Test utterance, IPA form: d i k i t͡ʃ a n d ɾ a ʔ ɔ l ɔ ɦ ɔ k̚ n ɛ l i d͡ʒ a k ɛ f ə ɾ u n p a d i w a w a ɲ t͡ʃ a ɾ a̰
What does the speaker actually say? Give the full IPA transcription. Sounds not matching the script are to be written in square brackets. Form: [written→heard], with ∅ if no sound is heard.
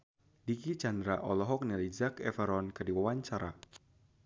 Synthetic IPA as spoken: d i k i t͡ʃ a n d ɾ a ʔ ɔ l ɔ ɦ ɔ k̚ n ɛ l i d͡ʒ a k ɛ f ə ɾ [u→ɔ] n [p→k] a d i w a w a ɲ t͡ʃ a ɾ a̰